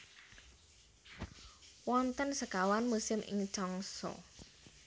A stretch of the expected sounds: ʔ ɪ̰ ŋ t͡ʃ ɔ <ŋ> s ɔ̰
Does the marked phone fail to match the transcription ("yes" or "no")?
no